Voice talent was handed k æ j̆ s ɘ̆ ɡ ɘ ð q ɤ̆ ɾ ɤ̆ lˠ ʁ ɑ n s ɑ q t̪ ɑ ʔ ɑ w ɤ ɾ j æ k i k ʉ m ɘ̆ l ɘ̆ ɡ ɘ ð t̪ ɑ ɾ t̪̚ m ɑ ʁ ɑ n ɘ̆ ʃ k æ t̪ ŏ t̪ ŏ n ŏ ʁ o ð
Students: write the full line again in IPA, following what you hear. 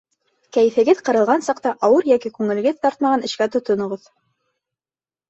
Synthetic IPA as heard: k æ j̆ f ɘ̆ ɡ ɘ ð q ɤ̆ ɾ ɤ̆ lˠ ʁ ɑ n s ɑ q t̪ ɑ ʔ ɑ w ɤ ɾ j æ k i k ʉ ŋ ɘ̆ l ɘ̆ ɡ ɘ ð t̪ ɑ ɾ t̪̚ m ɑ ʁ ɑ n ɘ̆ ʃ k æ t̪ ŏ t̪ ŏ n ŏ ʁ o ð